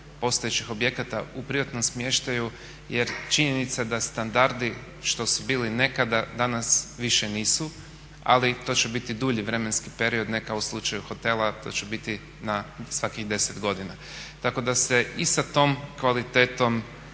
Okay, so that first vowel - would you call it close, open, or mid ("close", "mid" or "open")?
mid